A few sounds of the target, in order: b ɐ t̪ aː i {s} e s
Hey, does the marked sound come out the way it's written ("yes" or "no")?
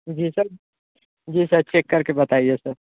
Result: no